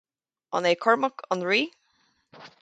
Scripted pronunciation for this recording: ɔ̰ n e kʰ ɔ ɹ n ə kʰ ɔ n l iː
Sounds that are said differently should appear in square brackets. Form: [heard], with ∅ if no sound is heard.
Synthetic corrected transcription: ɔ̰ n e kʰ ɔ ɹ [m] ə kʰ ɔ n [ɹ] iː